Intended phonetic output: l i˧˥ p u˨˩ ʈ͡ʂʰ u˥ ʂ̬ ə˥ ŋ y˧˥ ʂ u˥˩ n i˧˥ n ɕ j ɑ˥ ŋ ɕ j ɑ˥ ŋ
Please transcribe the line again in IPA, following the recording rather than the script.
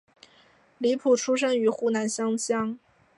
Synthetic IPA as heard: l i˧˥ pʰ u˨˩ ʈ͡ʂʰ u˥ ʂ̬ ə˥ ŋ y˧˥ x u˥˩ n a˧˥ n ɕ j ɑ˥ ŋ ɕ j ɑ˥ ŋ

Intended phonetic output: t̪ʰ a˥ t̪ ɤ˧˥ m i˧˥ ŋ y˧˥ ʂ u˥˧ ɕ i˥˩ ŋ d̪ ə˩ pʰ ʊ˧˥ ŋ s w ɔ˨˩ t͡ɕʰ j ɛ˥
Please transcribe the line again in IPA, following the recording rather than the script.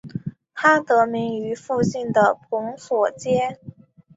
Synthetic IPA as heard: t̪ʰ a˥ t̪ ɤ˧˥ m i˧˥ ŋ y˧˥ f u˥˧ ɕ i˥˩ n d̪ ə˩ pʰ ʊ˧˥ ŋ s w ɔ˨˩ t͡ɕ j ɛ˥

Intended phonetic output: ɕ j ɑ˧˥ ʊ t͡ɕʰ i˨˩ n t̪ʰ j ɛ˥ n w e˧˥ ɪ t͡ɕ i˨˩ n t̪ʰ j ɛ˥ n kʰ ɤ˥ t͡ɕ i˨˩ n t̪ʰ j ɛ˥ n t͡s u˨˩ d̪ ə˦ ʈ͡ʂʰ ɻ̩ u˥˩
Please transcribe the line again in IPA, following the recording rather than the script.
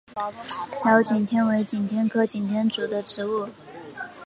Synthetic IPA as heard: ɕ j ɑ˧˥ ʊ t͡ɕ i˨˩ n t̪ʰ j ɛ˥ n w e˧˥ ɪ t͡ɕ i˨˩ n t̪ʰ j ɛ˥ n kʰ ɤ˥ t͡ɕ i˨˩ n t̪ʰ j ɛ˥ n t͡s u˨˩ d̪ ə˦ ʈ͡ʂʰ ɻ̩ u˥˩

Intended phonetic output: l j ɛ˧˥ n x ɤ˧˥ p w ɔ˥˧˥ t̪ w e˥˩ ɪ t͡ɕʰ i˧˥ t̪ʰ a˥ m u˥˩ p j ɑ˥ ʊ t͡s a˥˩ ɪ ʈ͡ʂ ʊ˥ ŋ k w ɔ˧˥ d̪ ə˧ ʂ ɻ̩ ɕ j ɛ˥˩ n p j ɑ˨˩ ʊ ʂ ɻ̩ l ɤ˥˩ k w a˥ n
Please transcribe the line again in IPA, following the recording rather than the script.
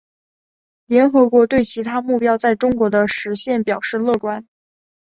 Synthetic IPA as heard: l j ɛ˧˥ n x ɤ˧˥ k w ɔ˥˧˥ t̪ w e˥˩ ɪ t͡ɕʰ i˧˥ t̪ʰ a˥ m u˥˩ p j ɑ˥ ʊ t͡s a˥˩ ɪ ʈ͡ʂ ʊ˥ ŋ k w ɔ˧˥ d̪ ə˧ ʂ ɻ̩ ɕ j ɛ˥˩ n p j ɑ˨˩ ʊ ʂ ɻ̩ l ɤ˥˩ k w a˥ n

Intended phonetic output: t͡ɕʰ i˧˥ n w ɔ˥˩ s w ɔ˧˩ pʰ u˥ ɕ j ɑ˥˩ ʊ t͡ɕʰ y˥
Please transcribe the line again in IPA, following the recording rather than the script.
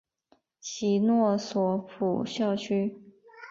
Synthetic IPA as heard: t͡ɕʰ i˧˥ n w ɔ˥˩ s w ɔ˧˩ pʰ u˨˩ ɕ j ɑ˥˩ ʊ t͡ɕʰ y˥

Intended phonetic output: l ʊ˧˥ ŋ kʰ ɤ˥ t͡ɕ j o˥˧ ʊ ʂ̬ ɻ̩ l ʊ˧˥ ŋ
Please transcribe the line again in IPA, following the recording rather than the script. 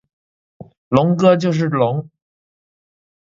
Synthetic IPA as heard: l ʊ˧˥ ŋ k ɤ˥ t͡ɕ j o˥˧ ʊ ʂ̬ ɻ̩ l ʊ˧˥ ŋ

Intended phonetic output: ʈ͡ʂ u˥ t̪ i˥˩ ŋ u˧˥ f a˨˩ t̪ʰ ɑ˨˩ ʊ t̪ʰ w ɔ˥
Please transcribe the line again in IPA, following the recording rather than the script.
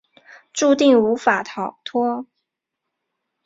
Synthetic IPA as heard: ʈ͡ʂ u˥˧ t̪ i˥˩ ŋ u˧˥ f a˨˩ t̪ʰ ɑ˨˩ ʊ t̪ʰ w ɔ˥

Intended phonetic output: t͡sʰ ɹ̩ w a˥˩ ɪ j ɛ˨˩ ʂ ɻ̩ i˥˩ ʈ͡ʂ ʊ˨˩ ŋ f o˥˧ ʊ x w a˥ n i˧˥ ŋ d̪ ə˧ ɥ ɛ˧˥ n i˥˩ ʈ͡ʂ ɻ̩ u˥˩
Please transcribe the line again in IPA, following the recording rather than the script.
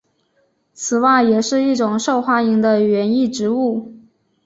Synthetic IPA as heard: t͡sʰ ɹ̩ w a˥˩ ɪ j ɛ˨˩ ʂ ɻ̩ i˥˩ ʈ͡ʂ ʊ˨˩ ŋ ʂ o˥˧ ʊ x w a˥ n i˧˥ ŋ d̪ ə˧ ɥ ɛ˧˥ n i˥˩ ʈ͡ʂ ɻ̩ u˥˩

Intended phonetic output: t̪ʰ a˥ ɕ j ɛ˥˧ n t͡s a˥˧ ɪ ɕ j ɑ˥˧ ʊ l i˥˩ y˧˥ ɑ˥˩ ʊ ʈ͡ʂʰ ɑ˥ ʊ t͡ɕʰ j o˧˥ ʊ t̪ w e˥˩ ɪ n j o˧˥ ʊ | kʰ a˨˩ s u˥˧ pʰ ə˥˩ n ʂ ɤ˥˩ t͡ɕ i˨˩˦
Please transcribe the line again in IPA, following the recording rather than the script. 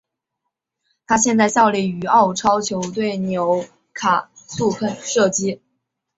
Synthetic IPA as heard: t̪ʰ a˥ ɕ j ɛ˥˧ n t͡s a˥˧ ɪ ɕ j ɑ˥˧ ʊ l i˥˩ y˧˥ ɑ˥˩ ʊ ʈ͡ʂʰ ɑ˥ ʊ t͡ɕʰ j o˧˥ ʊ t̪ w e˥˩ ɪ n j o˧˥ ʊ | kʰ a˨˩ s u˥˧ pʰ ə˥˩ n ʂ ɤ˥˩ t͡ɕ i˥

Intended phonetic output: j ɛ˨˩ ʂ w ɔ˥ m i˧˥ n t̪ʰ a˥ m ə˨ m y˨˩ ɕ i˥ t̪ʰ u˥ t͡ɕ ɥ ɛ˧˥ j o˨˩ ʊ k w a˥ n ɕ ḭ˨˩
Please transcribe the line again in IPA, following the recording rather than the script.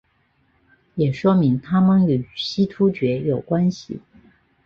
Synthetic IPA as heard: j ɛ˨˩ ʂ w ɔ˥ m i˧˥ ŋ t̪ʰ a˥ m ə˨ n y˨˩ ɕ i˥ t̪ʰ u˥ t͡ɕ ɥ ɛ˧˥ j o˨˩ ʊ k w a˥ n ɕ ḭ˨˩

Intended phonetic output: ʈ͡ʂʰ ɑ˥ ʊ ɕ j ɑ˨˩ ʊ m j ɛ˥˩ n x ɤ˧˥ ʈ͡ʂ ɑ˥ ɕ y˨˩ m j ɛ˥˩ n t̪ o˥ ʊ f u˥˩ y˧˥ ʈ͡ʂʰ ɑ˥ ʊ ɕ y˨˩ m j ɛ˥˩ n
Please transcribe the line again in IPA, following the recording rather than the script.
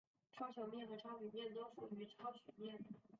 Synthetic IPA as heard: ʈ͡ʂʰ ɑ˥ ʊ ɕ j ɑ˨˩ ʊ m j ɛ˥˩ n x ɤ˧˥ ʈ͡ʂʰ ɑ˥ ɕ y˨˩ m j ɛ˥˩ n t̪ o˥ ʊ f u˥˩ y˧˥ ʈ͡ʂʰ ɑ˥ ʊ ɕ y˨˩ m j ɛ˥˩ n

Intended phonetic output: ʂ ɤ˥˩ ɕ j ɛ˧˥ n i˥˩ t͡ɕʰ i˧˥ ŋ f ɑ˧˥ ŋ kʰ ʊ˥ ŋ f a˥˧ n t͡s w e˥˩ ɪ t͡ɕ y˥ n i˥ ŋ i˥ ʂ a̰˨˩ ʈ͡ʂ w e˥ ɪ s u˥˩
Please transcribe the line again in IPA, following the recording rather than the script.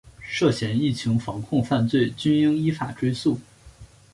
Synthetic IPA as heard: ʂ ɤ˥˩ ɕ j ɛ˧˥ n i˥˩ t͡ɕʰ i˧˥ ŋ f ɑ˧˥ ŋ kʰ ʊ˥˧ ŋ f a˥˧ n t͡s w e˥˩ ɪ t͡ɕ y˥ n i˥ ŋ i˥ f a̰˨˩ ʈ͡ʂ w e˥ ɪ s u˥˩

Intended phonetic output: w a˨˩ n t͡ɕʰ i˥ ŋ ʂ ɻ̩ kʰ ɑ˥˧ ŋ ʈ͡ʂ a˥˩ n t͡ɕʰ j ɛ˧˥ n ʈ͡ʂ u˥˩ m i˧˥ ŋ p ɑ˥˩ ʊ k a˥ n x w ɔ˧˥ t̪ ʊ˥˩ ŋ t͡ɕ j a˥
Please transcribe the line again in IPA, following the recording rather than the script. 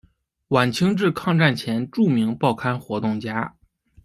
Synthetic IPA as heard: w a˨˩ n t͡ɕʰ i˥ ŋ ʈ͡ʂ ɻ̩ kʰ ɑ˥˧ ŋ ʈ͡ʂ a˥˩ n t͡ɕʰ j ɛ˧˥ n ʈ͡ʂ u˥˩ m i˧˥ ŋ p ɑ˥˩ ʊ kʰ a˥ n x w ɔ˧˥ t̪ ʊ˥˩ ŋ t͡ɕ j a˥

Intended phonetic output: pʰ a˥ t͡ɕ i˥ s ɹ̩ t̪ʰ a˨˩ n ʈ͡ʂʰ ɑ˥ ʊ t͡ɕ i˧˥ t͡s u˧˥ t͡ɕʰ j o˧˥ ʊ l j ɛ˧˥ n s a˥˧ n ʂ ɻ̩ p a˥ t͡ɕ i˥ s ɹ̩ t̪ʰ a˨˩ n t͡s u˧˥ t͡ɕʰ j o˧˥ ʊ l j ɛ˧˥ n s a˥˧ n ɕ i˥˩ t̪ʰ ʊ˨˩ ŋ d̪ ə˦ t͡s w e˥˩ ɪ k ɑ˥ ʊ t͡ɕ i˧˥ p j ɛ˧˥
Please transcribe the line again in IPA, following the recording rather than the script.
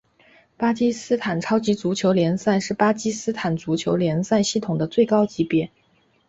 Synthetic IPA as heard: p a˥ t͡ɕ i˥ s ɹ̩ t̪ʰ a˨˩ n ʈ͡ʂʰ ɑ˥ ʊ t͡ɕ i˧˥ t͡s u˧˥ t͡ɕʰ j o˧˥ ʊ l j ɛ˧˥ n s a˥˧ n ʂ ɻ̩ p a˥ t͡ɕ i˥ s ɹ̩ t̪ʰ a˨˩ n t͡s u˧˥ t͡ɕʰ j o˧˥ ʊ l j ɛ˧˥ n s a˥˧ n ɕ i˥˩ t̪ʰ ʊ˨˩ ŋ d̪ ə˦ t͡s w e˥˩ ɪ k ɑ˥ ʊ t͡ɕ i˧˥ p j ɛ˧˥

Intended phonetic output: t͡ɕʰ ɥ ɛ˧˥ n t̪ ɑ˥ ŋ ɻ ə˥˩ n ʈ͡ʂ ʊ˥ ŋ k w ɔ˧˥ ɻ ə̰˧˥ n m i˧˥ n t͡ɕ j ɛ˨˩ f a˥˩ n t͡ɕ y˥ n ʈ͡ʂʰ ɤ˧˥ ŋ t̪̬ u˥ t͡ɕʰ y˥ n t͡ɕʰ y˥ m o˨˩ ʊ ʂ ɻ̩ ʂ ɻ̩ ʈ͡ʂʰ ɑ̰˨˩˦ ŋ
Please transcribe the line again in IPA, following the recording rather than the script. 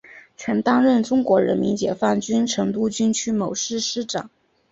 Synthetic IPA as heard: t͡ɕʰ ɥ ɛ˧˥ n t̪ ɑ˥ ŋ ɻ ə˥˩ n ʈ͡ʂ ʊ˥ ŋ k w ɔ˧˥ ɻ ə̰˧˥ n m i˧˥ n t͡ɕ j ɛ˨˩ f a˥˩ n t͡ɕ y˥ n ʈ͡ʂʰ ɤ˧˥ ŋ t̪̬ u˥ t͡ɕ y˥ n t͡ɕʰ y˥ m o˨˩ ʊ ʂ ɻ̩ ʂ ɻ̩ ʈ͡ʂ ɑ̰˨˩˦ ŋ

